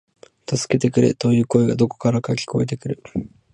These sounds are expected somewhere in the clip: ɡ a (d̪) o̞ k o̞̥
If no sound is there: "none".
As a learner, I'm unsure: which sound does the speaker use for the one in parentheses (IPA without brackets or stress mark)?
d̪